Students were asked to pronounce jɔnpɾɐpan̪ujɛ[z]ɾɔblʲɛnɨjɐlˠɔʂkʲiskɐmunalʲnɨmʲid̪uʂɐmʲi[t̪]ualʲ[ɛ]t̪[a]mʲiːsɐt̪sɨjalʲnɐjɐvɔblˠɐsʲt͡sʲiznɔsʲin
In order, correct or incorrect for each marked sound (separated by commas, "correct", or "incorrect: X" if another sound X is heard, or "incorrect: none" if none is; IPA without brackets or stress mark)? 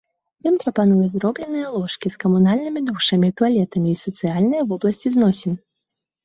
correct, correct, correct, incorrect: ɐ